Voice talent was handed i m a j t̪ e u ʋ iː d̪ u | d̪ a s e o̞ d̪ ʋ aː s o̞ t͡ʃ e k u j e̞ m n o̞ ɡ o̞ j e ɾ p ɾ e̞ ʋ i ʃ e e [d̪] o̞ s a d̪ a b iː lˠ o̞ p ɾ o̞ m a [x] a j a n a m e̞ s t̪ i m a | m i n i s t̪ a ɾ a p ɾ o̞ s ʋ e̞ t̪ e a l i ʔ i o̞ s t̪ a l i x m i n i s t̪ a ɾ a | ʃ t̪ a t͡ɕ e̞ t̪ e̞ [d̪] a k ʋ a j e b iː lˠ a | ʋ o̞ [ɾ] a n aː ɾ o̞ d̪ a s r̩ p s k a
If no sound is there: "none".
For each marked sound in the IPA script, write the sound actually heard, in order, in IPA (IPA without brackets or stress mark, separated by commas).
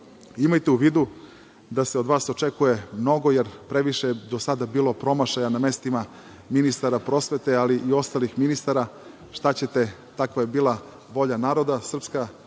d̪, ʃ, t̪, ʎ